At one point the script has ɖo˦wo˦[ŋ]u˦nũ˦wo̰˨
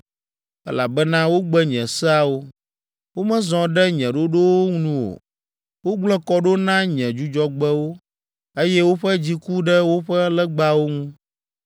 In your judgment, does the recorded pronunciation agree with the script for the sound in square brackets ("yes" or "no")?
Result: yes